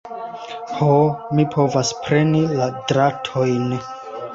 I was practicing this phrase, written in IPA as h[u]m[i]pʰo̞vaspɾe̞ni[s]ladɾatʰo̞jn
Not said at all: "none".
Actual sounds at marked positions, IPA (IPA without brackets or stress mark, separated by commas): o, i, none